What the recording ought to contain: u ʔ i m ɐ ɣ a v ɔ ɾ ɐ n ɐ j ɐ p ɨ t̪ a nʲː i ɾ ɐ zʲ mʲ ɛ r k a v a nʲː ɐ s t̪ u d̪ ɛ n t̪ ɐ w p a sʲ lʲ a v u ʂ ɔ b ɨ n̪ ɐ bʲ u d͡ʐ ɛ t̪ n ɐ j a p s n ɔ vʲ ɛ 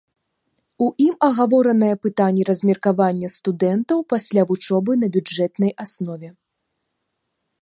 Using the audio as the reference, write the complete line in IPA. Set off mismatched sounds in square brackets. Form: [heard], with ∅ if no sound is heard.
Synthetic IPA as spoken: u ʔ i m ɐ ɣ a v ɔ ɾ ɐ n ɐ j ɐ p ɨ t̪ a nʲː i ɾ ɐ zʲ mʲ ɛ r k a v a nʲː ɐ s t̪ u d̪ ɛ n t̪ ɐ w p a sʲ lʲ a v u [t͡ʂ] ɔ b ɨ n̪ ɐ bʲ u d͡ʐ ɛ t̪ n ɐ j a [∅] s n ɔ vʲ ɛ